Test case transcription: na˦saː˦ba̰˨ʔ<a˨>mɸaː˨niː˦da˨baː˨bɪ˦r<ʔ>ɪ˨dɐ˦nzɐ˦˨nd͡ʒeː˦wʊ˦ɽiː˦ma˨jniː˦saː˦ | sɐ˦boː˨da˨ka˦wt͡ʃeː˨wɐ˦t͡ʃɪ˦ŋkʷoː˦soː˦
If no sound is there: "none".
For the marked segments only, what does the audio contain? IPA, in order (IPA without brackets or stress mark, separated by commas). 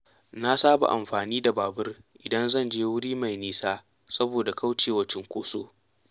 a˨, ʔ